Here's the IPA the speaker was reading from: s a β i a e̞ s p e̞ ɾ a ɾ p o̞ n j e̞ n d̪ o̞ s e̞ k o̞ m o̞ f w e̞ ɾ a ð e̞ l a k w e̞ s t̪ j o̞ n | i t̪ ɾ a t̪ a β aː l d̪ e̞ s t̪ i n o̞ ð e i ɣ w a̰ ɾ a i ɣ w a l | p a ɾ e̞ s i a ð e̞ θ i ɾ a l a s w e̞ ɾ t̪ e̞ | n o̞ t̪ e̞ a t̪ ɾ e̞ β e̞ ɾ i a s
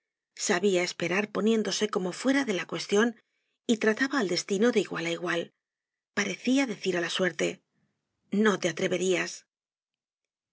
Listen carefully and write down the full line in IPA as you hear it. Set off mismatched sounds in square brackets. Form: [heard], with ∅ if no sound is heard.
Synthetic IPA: s a β i a e̞ s p e̞ ɾ a ɾ p o̞ n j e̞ n d̪ o̞ s e̞ k o̞ m o̞ f w e̞ ɾ a ð e̞ l a k w e̞ s t̪ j o̞ n | i t̪ ɾ a t̪ a β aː l d̪ e̞ s t̪ i n o̞ ð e i ɣ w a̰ [l] a i ɣ w a l | p a ɾ e̞ [θ] i a ð e̞ θ i ɾ a l a s w e̞ ɾ t̪ e̞ | n o̞ t̪ e̞ a t̪ ɾ e̞ β e̞ ɾ i a s